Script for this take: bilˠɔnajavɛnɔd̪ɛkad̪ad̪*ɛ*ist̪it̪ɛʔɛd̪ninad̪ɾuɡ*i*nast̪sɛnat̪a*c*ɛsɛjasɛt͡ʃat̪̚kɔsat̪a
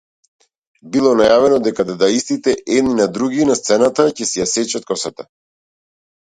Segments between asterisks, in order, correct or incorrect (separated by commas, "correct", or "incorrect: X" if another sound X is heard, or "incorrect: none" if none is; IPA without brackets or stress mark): incorrect: a, correct, correct